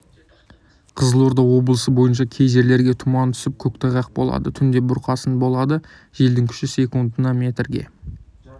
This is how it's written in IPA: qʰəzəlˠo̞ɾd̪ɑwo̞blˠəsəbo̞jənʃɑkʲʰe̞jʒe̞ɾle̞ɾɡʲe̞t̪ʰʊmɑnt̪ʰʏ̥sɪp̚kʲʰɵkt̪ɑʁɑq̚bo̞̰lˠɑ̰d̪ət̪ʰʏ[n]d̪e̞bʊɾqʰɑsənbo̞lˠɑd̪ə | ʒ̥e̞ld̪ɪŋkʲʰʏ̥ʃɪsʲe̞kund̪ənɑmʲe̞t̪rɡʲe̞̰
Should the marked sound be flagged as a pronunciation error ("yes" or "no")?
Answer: no